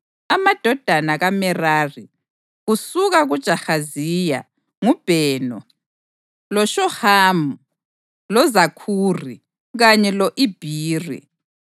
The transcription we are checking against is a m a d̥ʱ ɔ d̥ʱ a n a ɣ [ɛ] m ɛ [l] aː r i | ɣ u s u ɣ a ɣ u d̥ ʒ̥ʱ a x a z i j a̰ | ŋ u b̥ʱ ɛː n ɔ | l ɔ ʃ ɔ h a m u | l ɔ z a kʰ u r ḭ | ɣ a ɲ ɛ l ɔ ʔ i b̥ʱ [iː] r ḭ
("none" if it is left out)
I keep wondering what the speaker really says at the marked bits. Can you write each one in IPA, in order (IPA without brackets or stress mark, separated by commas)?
a, r, iː